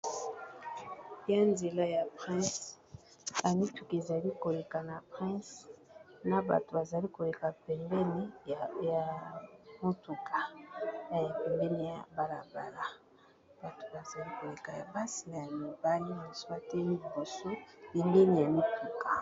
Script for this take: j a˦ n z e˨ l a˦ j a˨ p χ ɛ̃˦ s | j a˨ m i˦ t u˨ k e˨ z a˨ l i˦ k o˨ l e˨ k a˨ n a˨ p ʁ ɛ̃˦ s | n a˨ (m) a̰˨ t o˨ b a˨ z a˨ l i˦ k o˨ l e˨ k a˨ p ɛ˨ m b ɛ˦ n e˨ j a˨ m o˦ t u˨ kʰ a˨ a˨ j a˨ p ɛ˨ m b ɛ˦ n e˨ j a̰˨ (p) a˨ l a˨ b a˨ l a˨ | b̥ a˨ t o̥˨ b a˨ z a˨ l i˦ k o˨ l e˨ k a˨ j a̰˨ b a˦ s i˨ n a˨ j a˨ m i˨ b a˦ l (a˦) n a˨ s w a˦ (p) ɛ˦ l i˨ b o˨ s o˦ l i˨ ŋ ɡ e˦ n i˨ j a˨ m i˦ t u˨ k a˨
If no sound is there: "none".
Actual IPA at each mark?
b, b, i˦, t

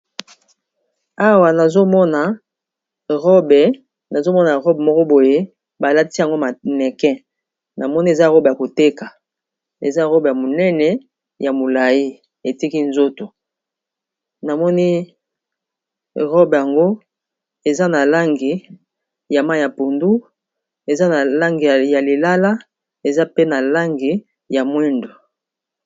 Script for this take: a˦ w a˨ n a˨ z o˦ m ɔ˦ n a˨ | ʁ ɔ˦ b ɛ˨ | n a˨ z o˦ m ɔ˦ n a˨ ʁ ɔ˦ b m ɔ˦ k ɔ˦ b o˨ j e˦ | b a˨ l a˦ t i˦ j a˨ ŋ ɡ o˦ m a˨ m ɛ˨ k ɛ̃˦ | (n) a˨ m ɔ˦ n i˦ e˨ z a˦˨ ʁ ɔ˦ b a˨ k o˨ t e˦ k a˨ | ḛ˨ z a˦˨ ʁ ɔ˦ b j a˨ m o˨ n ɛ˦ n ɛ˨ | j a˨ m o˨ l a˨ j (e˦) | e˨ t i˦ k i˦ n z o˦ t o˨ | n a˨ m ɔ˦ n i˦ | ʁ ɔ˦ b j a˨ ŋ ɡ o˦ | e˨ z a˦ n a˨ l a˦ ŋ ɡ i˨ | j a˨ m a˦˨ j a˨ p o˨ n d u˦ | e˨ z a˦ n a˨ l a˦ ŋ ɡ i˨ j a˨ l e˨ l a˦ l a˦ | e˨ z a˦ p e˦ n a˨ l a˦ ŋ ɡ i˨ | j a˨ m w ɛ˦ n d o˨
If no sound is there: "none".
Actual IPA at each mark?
n, i˦

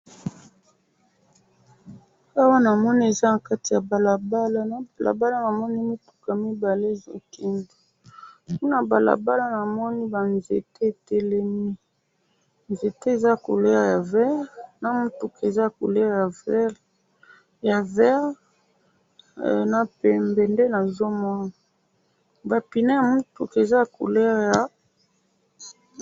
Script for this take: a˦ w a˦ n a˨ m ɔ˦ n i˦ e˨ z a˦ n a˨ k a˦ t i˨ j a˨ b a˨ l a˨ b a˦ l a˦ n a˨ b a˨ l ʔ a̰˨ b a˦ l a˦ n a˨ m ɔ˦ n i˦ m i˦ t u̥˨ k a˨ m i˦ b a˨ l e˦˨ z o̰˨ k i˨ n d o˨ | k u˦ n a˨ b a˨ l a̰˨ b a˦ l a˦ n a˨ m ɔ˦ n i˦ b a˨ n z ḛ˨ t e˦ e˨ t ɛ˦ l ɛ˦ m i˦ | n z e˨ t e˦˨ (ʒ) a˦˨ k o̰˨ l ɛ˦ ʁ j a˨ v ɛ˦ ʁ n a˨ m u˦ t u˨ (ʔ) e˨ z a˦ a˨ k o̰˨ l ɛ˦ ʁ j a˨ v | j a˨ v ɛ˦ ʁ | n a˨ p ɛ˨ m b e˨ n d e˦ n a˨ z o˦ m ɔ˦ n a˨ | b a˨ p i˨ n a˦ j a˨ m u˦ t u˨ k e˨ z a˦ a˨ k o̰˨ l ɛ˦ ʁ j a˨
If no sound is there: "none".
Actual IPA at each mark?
z, k

